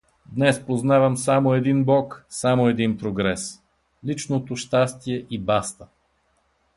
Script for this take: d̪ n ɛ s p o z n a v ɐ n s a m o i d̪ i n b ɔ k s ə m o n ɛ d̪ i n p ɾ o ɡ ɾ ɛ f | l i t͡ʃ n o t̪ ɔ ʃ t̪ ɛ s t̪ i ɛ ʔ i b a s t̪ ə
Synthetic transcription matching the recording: d̪ n ɛ s p o z n a v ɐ m s a m o ɛ d̪ i n b ɔ k s a m o ɛ d̪ i n p ɾ o ɡ ɾ ɛ s | l i t͡ʃ n o t̪ o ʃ t̪ a s t̪ i ɛ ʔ i b a s t̪ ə